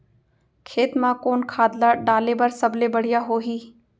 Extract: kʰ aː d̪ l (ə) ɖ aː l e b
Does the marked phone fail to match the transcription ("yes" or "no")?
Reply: yes